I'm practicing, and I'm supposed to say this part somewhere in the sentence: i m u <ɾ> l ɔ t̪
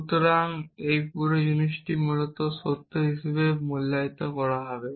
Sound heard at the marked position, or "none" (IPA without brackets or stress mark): none